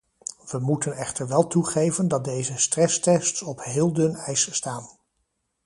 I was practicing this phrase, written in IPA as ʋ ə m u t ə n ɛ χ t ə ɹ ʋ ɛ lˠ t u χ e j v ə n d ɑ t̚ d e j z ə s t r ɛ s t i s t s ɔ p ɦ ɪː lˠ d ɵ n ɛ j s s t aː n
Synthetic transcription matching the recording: ʋ ə m u t ə n ɛ χ t ə ɹ ʋ ɛ lˠ t u χ e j v ə n d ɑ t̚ d e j z ə s t r ɛ s t ɛ s t s ɔ p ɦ ɪː lˠ d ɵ n ɛ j s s t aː n